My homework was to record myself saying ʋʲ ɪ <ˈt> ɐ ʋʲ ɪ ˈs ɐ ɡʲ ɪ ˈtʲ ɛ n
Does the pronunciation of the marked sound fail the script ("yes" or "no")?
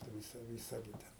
yes